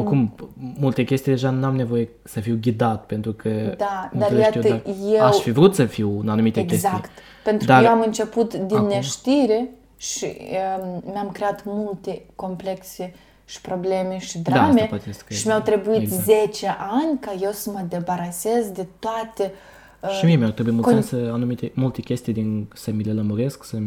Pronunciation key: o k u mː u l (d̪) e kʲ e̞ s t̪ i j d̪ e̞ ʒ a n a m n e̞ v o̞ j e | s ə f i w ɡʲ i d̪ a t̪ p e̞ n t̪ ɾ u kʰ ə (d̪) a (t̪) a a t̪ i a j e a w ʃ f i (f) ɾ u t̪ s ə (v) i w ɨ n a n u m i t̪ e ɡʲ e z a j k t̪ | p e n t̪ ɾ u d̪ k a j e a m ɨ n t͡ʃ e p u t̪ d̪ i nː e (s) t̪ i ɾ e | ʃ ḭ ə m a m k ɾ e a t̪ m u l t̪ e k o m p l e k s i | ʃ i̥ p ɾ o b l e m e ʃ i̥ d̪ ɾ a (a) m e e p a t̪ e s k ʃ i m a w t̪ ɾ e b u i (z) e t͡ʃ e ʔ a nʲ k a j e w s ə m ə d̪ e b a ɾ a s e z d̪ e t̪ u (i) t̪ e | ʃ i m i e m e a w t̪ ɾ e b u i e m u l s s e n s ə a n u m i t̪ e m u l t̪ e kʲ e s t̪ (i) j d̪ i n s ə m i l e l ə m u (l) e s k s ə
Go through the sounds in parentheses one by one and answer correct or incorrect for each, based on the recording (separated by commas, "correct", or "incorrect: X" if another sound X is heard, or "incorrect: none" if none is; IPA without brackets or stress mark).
incorrect: t̪, correct, incorrect: d̪, incorrect: v, incorrect: f, incorrect: ʃ, correct, correct, incorrect: a, correct, incorrect: ɾ